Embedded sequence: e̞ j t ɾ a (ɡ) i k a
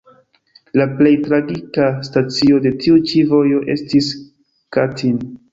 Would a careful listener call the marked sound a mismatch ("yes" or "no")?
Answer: no